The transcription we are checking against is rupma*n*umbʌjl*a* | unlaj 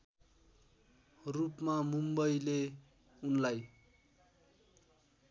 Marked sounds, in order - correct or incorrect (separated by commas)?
incorrect, incorrect